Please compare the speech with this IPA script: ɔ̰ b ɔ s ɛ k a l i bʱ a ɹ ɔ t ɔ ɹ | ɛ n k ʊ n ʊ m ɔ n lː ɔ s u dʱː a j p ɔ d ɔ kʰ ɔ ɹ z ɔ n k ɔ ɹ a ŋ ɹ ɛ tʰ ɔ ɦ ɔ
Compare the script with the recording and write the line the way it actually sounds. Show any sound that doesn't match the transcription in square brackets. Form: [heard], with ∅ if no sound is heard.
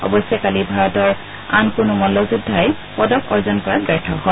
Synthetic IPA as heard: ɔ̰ b ɔ s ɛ k a l i bʱ a ɹ ɔ t ɔ ɹ | [a] n k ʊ n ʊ m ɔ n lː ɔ [z] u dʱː a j p ɔ d ɔ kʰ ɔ ɹ z ɔ n k ɔ ɹ a [ɡ] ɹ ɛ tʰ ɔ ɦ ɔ